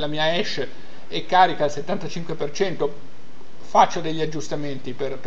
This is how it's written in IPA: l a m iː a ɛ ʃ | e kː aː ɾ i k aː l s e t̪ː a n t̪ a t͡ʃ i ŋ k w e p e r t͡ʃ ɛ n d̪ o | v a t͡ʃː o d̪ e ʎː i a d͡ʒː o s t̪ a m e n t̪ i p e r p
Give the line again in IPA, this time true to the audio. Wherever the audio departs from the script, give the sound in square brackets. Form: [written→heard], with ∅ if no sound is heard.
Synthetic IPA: l a m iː a ɛ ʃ | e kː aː ɾ i k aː l s e t̪ː a n t̪ a t͡ʃ i ŋ k w e p e r t͡ʃ ɛ n [d̪→t̪] o | [v→f] a t͡ʃː o d̪ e ʎː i a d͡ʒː [o→u] s t̪ a m e n t̪ i p e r p